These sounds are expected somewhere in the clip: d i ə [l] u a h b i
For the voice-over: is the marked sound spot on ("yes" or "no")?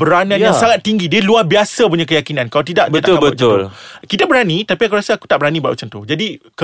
yes